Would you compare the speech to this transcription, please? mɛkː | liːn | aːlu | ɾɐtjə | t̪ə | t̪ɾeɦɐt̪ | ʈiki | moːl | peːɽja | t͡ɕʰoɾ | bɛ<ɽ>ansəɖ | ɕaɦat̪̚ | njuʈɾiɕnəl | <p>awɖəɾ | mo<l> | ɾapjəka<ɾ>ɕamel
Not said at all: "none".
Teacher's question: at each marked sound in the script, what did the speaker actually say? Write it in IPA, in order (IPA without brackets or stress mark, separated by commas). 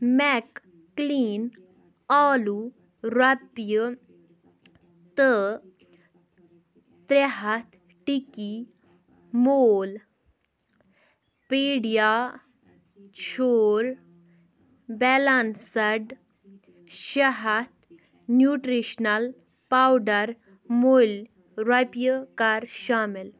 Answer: l, p, l, ɾ